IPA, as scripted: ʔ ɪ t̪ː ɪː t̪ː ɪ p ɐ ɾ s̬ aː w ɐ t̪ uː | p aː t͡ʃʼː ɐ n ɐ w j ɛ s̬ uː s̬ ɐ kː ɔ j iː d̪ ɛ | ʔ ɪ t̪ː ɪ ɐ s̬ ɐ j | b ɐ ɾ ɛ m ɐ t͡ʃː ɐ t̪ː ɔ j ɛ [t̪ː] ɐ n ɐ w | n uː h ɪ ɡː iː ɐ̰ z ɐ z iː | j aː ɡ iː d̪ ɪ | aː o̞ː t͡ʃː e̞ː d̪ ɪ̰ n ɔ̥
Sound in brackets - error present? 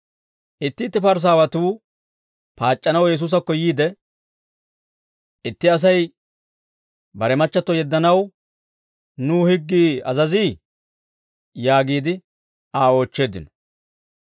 yes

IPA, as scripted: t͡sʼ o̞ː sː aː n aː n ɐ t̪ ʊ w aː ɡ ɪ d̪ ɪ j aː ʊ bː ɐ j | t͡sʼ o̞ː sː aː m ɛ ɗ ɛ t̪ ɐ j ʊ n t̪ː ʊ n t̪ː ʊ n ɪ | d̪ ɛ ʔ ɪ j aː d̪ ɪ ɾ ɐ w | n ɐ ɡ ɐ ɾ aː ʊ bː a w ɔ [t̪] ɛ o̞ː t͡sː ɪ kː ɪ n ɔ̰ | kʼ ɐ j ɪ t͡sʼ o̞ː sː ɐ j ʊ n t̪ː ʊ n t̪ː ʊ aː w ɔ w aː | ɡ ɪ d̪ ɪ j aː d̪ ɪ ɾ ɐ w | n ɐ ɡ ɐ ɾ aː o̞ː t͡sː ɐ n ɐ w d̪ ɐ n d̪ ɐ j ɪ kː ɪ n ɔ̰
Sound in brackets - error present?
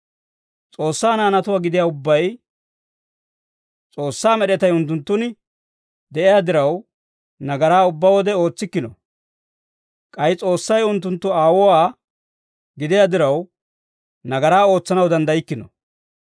yes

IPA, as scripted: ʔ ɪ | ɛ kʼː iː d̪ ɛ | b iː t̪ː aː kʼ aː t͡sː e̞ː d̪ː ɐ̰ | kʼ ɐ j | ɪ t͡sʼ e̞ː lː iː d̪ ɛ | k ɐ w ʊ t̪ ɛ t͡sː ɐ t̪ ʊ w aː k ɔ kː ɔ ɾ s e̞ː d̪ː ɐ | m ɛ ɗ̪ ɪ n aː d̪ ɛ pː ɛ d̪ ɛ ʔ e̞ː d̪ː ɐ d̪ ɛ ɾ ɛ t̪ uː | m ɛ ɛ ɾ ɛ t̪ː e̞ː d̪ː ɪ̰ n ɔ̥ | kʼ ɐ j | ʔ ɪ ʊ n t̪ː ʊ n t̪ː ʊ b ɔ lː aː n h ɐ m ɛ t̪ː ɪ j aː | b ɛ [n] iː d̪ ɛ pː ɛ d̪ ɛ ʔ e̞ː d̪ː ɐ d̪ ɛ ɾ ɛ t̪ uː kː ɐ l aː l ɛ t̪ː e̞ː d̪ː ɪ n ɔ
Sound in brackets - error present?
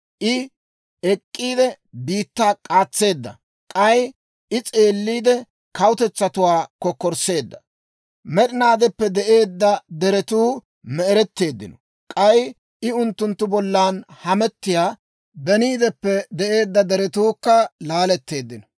no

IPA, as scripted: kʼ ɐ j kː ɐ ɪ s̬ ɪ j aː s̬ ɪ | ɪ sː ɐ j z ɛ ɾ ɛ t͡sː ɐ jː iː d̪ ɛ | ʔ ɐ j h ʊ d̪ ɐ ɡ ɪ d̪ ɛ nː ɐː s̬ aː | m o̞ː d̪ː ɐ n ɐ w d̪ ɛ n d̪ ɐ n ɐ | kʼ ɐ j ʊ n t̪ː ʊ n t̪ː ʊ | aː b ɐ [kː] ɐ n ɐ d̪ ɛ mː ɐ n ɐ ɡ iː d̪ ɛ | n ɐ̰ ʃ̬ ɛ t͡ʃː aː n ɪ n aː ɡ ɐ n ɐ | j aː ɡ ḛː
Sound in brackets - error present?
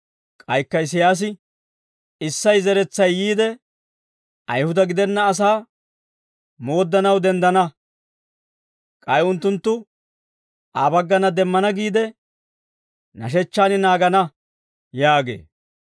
yes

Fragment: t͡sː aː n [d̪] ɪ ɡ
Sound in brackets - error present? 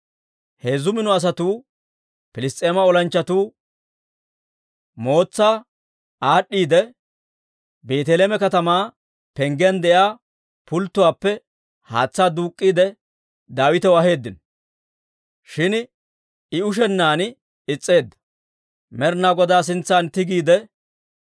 yes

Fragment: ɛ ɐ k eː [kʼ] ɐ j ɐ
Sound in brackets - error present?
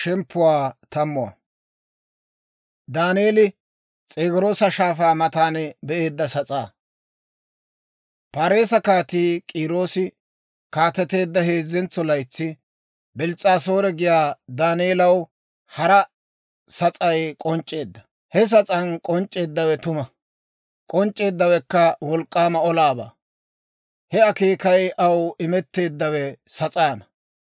yes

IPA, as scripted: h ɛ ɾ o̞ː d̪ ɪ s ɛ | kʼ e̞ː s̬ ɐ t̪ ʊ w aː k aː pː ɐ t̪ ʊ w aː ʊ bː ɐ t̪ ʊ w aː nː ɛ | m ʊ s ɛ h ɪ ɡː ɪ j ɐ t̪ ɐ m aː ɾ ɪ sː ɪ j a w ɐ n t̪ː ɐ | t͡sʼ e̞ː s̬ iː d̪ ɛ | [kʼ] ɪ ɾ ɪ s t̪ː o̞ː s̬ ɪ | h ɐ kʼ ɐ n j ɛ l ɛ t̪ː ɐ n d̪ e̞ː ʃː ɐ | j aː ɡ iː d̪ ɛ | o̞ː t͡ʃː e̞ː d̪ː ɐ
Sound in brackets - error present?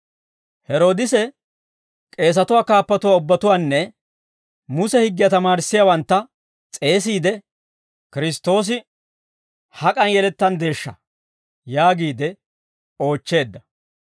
yes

